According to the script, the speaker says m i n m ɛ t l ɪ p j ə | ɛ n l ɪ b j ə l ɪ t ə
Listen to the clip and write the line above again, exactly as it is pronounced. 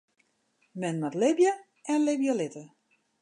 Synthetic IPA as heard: m ɛ n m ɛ t l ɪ b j ə | ɛ n l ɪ b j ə l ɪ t ə